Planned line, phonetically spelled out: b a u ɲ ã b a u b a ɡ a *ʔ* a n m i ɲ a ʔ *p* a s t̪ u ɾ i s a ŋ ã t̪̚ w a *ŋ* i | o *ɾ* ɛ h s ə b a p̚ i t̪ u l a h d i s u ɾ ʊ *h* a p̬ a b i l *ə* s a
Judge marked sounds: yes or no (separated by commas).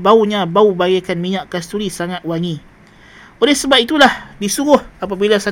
no, no, yes, no, yes, no